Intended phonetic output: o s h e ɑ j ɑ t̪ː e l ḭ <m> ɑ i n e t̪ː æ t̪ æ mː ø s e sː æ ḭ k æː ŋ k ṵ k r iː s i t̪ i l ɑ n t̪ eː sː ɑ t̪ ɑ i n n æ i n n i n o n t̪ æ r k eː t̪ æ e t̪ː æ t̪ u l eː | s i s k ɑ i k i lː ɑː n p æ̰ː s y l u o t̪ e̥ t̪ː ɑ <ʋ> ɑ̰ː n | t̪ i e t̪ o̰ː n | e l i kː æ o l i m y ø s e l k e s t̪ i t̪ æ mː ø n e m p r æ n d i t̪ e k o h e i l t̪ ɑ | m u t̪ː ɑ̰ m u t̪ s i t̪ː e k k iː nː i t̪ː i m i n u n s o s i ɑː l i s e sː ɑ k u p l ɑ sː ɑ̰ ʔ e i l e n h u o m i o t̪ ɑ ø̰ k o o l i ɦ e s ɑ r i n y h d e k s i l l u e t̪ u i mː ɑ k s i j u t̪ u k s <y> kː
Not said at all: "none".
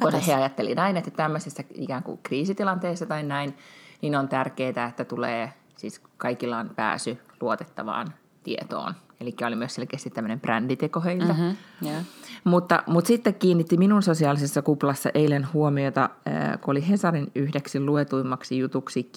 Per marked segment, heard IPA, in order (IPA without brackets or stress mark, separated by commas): n, ʋ, i